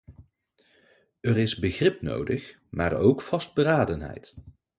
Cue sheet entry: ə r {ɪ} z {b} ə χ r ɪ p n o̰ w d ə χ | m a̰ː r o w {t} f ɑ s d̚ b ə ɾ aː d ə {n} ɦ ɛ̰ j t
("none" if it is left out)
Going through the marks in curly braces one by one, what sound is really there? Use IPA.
ɪ, b, k, n

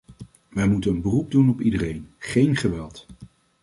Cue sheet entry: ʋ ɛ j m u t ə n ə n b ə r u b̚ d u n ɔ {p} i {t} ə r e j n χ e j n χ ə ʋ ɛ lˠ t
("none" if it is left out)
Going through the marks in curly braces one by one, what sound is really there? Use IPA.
p, d

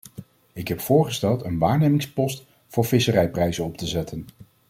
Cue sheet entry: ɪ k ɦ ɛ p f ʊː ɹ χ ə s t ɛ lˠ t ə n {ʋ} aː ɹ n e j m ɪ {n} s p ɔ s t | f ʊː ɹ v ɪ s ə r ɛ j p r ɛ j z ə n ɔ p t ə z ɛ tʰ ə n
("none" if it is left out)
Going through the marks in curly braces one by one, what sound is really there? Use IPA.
ʋ, ŋ

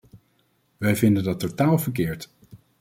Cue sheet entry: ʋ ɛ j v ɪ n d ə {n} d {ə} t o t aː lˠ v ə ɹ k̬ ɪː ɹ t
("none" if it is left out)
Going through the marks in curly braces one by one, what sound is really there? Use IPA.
n, ɑ

